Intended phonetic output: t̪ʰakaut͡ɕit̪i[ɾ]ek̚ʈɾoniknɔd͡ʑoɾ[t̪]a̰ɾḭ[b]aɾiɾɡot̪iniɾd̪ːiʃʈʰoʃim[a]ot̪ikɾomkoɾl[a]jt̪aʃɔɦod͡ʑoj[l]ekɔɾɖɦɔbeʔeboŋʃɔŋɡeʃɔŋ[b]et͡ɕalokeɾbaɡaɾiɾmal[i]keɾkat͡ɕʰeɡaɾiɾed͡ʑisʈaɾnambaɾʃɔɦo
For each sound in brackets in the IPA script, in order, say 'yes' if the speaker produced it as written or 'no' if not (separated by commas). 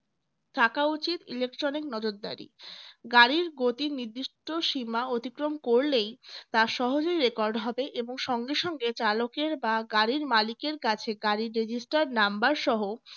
no, no, no, yes, no, no, no, yes